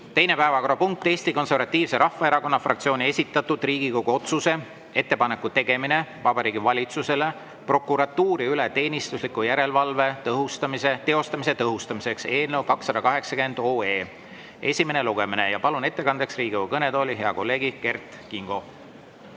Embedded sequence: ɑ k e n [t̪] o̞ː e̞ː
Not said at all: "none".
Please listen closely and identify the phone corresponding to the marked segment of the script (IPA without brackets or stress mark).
d̪